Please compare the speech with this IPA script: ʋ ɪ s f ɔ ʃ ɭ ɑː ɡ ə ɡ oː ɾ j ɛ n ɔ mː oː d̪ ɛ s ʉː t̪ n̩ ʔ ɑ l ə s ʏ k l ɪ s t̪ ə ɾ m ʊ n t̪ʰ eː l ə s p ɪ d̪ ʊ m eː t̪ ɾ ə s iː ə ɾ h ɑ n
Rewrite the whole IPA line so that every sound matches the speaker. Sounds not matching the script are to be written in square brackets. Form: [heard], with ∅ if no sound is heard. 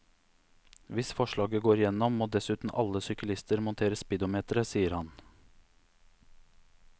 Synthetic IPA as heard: ʋ ɪ s f ɔ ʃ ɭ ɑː ɡ ə ɡ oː ɾ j ɛ n ɔ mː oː d̪ ɛ s ʉː t̪ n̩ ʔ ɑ l ə s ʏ k l ɪ s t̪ ə ɾ m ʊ n t̪ʰ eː [ɾ] ə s p ɪ d̪ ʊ m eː t̪ ɾ ə s iː ə ɾ h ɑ n